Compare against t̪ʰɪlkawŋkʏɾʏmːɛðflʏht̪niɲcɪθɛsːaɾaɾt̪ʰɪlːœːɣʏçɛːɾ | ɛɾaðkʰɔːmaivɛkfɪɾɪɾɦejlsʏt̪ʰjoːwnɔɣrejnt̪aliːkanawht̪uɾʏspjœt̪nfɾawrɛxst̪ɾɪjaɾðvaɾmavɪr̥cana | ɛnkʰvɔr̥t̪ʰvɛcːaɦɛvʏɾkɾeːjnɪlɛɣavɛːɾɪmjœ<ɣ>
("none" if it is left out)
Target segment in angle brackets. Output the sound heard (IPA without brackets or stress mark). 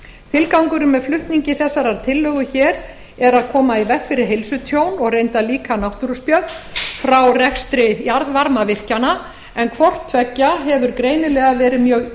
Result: ɣ